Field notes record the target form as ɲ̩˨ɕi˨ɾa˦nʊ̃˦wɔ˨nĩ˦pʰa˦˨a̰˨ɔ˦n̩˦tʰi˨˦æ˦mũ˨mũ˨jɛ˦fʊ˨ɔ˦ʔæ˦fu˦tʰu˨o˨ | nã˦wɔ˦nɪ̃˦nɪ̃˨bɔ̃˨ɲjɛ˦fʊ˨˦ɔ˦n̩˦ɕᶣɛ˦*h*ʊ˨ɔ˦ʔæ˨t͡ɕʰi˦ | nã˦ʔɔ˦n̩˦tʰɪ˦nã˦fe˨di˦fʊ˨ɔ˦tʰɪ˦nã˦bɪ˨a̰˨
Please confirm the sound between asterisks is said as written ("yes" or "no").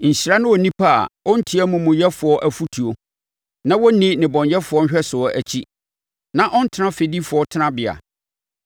no